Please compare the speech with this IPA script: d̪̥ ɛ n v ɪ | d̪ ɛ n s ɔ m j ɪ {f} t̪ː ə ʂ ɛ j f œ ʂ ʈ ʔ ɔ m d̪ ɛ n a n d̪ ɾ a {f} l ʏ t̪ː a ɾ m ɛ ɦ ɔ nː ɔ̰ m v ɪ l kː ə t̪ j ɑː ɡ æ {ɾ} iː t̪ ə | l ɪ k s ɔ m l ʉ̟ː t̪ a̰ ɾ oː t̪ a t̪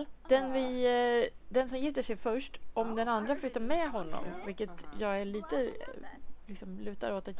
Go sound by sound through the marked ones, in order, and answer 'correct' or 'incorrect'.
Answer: correct, correct, incorrect: ɭ

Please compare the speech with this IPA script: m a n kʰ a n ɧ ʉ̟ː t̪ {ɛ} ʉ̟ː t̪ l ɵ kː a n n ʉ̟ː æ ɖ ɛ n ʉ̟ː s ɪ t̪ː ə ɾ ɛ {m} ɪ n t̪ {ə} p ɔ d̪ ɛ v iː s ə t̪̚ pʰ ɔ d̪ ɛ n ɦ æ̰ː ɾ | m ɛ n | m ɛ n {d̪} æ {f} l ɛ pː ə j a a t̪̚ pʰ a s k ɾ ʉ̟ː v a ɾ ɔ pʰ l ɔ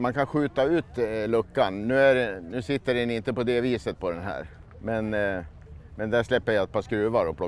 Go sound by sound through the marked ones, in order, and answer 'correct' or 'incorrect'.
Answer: incorrect: a, incorrect: n, correct, correct, incorrect: ʂ

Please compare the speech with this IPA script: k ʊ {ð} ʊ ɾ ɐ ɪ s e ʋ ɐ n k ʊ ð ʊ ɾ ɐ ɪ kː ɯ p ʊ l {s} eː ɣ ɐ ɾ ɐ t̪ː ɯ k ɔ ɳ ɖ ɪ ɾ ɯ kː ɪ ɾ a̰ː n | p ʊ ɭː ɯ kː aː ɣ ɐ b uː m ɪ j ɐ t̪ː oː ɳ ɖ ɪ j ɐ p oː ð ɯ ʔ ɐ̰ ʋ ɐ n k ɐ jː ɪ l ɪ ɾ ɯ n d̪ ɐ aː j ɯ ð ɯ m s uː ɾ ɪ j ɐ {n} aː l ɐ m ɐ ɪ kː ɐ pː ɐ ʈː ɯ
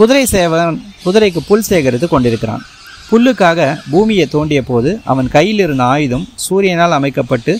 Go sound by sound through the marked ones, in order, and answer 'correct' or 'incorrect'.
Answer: correct, correct, correct

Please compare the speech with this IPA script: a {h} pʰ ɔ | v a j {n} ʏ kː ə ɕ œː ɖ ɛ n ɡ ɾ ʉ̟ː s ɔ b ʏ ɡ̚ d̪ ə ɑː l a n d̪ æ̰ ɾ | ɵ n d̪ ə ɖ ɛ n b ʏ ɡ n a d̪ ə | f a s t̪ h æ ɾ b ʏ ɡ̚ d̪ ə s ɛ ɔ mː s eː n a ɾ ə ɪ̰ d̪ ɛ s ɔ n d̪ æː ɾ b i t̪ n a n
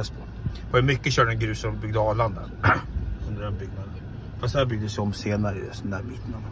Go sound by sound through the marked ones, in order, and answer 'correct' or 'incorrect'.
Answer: incorrect: s, incorrect: m

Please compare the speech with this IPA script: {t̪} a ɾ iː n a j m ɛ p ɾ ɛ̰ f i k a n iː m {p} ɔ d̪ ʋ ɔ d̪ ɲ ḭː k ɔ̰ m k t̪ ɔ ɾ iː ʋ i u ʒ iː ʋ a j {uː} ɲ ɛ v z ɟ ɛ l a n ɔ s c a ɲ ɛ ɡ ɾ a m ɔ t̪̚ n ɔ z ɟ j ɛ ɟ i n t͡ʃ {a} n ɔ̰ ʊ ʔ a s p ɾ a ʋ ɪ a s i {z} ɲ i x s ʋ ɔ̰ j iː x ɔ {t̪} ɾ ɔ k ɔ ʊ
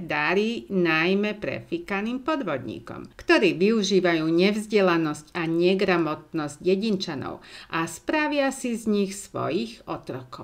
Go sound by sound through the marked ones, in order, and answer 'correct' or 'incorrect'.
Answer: incorrect: d̪, correct, correct, correct, correct, correct

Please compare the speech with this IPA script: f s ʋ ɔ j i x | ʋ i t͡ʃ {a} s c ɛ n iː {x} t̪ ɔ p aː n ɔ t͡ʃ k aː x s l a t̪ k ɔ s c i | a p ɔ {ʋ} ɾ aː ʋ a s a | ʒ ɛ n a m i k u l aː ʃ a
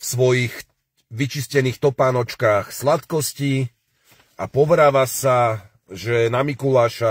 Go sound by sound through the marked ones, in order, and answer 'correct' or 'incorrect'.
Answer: incorrect: i, correct, correct

